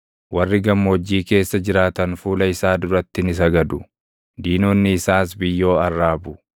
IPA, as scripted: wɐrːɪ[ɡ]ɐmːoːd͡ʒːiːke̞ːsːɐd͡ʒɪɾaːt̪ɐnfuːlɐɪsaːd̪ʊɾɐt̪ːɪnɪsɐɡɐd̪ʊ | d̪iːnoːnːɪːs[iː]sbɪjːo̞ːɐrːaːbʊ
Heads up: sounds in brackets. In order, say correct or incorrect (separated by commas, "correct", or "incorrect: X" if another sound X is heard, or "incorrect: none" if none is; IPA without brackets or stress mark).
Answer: correct, incorrect: aː